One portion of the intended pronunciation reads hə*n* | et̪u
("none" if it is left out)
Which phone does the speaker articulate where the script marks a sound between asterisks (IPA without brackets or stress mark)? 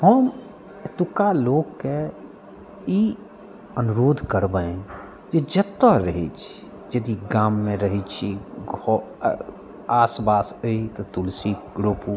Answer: m